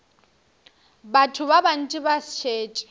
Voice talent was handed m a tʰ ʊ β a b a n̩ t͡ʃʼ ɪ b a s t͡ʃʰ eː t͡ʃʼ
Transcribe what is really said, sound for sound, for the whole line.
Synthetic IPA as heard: b a tʰ ʊ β a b a n̩ t͡ʃʼ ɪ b a s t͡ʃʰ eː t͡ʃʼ